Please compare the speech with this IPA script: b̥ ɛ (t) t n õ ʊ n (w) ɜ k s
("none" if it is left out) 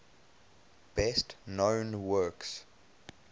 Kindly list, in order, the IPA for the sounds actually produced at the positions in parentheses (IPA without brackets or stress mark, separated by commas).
s, w